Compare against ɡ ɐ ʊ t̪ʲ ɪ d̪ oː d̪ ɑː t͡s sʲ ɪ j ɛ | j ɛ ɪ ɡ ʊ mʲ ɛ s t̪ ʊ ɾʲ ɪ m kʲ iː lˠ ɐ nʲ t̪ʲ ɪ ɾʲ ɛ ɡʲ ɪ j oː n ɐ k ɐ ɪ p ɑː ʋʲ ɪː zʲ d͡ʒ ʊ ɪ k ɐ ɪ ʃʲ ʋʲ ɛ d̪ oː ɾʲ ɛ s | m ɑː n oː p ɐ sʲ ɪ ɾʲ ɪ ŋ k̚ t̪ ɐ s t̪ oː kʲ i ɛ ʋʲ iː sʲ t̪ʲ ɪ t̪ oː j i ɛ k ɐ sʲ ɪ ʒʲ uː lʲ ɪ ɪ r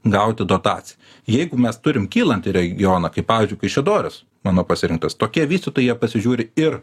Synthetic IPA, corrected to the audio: ɡ ɐ ʊ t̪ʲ ɪ d̪ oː t̪ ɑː t͡s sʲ ɪ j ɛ | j ɛ ɪ ɡ ʊ mʲ ɛ s t̪ ʊ ɾʲ ɪ m kʲ iː lˠ ɐ nʲ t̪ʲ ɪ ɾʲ ɛ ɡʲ ɪ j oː n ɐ k ɐ ɪ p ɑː ʋʲ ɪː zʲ d͡ʒ ʊ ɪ k ɐ ɪ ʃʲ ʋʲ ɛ d̪ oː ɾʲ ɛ s | m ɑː n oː p ɐ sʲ ɪ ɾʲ ɪ ŋ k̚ t̪ ɐ s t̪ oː kʲ i ɛ ʋʲ iː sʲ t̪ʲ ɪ t̪ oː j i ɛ p ɐ sʲ ɪ ʒʲ uː ɾʲ ɪ ɪ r